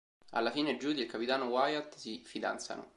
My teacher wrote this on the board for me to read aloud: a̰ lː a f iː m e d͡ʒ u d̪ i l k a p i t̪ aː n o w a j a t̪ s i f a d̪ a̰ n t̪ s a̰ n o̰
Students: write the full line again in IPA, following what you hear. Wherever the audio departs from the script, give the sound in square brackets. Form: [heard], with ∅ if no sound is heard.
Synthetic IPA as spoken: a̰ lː a f iː [n] e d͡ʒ u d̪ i l k a p i t̪ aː n o w a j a t̪ s i f [i] d̪ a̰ n t̪ s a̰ n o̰